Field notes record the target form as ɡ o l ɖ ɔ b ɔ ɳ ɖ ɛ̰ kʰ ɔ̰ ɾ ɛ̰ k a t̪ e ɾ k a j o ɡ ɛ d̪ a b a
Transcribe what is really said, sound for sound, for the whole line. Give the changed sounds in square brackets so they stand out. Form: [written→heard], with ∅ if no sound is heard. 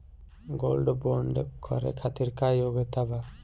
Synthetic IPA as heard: ɡ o l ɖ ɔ b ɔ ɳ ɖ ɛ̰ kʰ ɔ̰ ɾ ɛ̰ [k→kʰ] a t̪ [e→i] ɾ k a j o ɡ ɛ [d̪→t̪] a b a

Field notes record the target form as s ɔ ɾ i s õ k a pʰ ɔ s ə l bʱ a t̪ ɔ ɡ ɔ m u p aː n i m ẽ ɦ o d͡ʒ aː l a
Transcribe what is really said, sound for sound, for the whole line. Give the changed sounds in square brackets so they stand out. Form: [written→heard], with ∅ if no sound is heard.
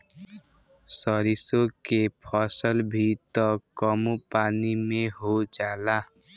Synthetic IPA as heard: s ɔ ɾ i s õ k [a→e] pʰ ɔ s ə l bʱ [a→i] t̪ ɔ [ɡ→k] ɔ m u p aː n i m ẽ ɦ o d͡ʒ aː l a

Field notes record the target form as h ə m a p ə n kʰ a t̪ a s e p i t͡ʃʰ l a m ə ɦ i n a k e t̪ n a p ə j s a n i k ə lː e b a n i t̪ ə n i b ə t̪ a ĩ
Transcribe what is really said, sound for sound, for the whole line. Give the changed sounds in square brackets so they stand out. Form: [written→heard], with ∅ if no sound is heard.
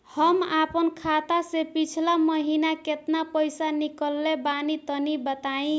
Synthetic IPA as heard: h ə m a p ə n kʰ a t̪ a s e p i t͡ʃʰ l a m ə ɦ i n a k e t̪ n a p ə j s a n i k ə lː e b a n i t̪ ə n i b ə t̪ a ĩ

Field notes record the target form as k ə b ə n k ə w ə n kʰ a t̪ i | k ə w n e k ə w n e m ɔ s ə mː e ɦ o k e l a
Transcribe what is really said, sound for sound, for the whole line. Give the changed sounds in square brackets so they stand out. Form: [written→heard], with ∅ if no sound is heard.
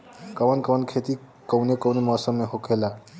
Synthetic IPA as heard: k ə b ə n k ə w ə n kʰ [a→e] t̪ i | k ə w n e k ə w n e m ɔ s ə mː e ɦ o k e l a

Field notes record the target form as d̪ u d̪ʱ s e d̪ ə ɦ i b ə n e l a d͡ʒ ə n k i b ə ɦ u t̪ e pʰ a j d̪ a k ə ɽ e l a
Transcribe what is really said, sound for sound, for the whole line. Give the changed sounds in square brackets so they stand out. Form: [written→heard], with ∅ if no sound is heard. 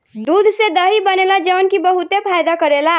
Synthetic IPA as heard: d̪ u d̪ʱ s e d̪ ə ɦ i b ə n e l a d͡ʒ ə n k i b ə ɦ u t̪ e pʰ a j d̪ a k ə [ɽ→ɾ] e l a

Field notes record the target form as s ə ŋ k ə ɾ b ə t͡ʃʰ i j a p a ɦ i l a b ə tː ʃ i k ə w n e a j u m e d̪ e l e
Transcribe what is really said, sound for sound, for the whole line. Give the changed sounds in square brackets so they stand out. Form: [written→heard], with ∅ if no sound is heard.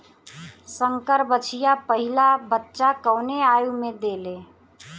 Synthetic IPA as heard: s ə ŋ k ə ɾ b ə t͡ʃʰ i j a p [a→ə] ɦ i l a b ə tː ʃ [i→a] k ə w n e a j u m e d̪ e l e

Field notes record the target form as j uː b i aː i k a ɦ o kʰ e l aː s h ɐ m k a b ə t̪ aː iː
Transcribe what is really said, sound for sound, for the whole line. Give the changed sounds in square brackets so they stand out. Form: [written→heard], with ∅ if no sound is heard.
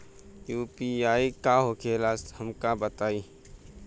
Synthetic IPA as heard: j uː [b→p] i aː i k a ɦ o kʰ e l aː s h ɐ m k a b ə t̪ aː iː

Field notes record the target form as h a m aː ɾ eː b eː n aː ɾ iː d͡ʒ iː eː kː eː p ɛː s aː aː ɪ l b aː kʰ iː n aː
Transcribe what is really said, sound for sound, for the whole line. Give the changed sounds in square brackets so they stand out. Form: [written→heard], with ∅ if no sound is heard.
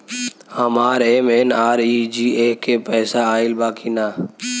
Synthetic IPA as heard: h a m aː ɾ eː [b→m] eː n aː ɾ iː d͡ʒ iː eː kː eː p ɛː s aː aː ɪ l b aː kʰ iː n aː

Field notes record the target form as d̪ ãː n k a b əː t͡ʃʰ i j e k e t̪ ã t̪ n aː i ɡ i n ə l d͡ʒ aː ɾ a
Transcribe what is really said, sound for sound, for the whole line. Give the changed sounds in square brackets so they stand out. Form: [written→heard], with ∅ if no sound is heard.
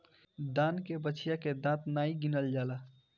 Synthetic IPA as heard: d̪ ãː n k [a→e] b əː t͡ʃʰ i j [e→a] k e [t̪→d̪] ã t̪ n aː i ɡ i n ə l d͡ʒ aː [ɾ→l] a

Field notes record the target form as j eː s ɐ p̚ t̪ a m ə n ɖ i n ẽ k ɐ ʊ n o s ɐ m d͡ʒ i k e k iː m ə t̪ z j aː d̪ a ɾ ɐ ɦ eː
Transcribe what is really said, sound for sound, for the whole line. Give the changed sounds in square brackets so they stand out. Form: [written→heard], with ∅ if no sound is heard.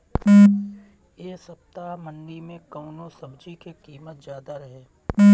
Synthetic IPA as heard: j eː s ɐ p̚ t̪ a m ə n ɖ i [n→m] ẽ k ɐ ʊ n o s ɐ [m→b] d͡ʒ i k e k iː m ə t̪ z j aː d̪ a ɾ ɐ ɦ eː

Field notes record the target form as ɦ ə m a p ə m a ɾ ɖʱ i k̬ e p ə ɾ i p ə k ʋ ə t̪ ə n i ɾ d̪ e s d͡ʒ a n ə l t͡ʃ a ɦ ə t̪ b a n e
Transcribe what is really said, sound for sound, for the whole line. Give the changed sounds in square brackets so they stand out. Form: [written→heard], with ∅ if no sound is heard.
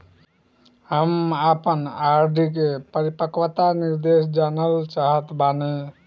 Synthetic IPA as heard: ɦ ə m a p ə [m→n] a ɾ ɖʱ i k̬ e p ə ɾ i p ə k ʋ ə t̪ [ə→a] n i ɾ d̪ e s d͡ʒ a n ə l t͡ʃ a ɦ ə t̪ b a n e

